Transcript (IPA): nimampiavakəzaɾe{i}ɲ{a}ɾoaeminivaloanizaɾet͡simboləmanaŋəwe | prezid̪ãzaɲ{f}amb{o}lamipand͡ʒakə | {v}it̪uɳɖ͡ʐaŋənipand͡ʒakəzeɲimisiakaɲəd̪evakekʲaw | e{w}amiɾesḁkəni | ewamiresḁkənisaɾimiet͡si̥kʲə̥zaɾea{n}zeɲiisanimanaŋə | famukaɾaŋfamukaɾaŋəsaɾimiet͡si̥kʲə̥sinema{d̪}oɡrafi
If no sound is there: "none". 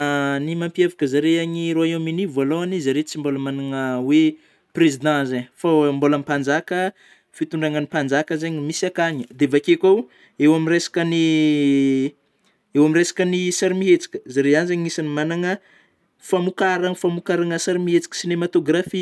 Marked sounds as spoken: a, i, f, o, f, w, n, t̪

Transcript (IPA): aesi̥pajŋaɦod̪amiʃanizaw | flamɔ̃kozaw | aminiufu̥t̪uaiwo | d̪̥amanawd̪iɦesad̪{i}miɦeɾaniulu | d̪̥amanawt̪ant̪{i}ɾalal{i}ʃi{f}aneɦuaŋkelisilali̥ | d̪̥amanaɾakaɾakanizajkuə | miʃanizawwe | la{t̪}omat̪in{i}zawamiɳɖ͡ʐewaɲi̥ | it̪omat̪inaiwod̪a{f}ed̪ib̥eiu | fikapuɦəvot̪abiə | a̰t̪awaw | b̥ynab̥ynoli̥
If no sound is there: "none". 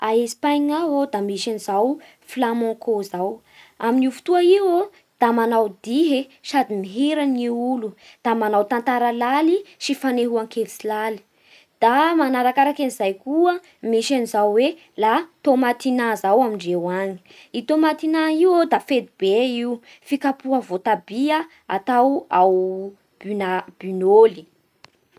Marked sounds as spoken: i, a, i, f, t̪, a, f

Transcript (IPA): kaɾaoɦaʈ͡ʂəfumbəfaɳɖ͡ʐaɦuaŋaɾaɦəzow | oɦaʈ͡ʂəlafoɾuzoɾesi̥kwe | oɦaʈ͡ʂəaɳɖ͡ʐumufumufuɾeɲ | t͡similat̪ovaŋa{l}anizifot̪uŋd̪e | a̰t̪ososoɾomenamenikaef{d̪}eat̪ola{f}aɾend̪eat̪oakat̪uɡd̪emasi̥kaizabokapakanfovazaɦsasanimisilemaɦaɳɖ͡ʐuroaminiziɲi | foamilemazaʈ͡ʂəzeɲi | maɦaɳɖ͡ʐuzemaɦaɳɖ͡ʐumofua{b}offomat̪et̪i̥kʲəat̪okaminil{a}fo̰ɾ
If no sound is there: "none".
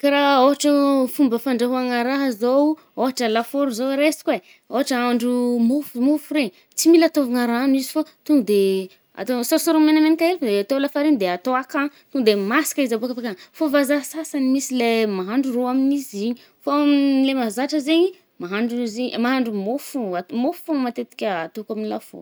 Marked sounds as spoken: ɾ, d̪, f, m, a

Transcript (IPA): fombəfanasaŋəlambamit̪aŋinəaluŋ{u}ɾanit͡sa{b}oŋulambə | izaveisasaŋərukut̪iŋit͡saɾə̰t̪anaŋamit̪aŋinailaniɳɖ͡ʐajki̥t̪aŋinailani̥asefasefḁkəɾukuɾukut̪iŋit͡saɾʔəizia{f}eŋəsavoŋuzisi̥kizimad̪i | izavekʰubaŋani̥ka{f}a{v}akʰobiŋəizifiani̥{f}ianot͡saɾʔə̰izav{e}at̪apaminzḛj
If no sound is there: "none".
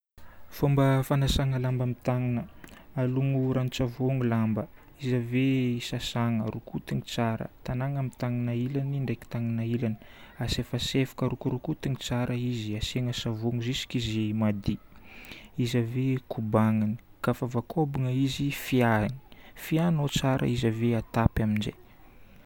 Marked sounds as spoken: u, v, s, f, v, f, e

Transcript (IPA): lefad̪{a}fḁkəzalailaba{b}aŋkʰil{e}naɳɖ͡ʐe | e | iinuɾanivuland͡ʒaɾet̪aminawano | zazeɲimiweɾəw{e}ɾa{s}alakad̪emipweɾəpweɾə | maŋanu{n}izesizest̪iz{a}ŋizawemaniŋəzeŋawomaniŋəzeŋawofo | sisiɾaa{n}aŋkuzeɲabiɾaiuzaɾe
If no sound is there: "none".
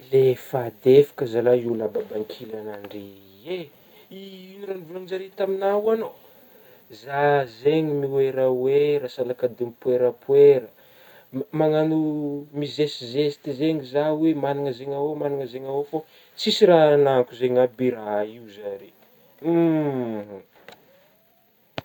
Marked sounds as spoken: e, b, a, e, s, m, e, n

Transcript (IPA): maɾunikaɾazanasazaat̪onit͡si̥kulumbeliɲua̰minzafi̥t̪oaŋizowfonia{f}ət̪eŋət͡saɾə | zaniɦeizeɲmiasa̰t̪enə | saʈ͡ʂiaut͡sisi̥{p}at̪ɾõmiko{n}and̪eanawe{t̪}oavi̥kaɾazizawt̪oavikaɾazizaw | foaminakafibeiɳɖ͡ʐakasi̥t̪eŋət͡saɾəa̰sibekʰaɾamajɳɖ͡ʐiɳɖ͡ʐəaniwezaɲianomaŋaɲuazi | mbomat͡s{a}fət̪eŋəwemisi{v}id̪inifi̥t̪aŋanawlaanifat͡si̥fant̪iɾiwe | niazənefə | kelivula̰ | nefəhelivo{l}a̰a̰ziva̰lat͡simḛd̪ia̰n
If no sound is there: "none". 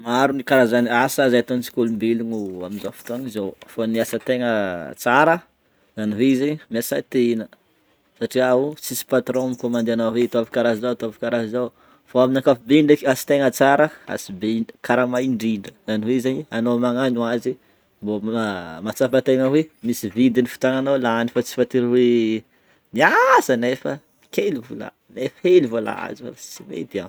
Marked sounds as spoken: s, p, m, t̪, a, v, l

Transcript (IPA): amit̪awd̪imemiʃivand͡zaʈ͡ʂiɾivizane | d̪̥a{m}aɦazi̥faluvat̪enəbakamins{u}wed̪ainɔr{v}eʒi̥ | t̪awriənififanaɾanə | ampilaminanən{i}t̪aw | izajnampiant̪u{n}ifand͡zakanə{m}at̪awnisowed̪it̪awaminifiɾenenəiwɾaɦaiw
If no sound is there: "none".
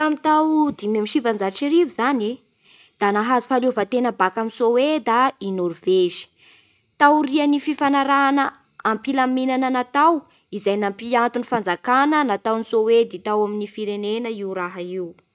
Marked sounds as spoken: n, o, v, a, n, n

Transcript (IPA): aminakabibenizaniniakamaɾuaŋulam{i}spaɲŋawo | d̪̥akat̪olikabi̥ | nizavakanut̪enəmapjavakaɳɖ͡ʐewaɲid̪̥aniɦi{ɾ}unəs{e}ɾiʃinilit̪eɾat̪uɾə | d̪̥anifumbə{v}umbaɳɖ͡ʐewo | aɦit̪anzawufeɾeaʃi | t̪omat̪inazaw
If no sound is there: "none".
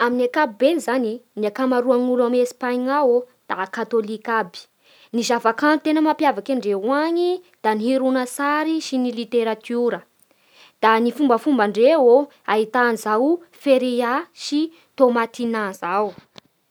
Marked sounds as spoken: e, ɾ, a, f

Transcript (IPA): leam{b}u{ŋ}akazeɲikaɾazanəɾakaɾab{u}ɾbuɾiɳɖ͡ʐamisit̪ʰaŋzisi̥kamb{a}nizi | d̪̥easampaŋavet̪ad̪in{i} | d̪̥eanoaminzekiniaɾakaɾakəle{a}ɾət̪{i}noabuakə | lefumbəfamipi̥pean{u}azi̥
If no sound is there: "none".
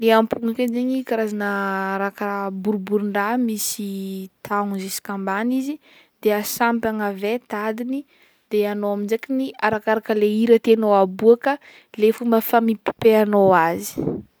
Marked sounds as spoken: p, ŋ, u, a, i, i, e, o

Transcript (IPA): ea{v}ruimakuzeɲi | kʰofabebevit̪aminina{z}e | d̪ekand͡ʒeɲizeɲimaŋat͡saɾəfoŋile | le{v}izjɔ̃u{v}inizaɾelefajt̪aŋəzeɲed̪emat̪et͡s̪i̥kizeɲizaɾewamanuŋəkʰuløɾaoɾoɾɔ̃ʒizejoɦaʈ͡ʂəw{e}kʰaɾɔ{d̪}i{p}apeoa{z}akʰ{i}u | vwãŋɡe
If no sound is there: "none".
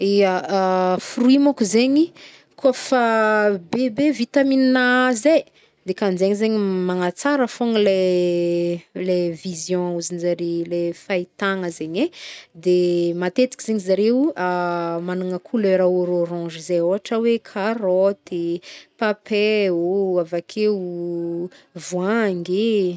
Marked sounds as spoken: f, z, v, z, e, t̪, p, v, e

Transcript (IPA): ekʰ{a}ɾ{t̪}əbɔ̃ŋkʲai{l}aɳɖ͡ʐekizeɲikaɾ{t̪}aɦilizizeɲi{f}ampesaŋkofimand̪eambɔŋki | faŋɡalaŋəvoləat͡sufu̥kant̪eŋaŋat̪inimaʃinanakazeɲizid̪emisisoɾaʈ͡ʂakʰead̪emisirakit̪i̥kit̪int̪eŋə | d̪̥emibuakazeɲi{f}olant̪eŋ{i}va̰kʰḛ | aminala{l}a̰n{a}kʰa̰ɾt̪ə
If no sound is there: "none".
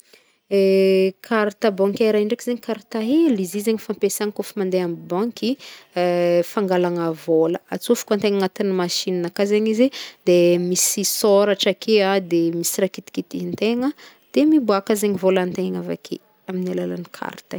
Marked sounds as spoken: a, t̪, ɾ, t̪, f, v, a, l, i

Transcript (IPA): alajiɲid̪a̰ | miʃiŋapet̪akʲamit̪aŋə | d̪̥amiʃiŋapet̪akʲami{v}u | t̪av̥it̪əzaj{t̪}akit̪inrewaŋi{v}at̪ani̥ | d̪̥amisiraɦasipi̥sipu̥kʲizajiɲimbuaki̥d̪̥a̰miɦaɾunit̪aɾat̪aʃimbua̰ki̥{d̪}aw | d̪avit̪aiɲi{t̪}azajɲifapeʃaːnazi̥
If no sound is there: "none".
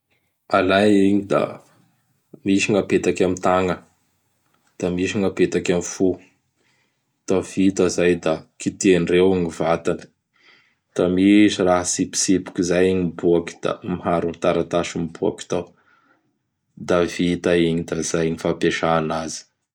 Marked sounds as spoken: f, d̪, v, t̪, d̪

